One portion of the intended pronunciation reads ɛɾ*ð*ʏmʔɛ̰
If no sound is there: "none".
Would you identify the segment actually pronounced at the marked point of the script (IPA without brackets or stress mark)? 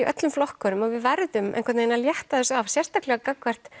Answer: ð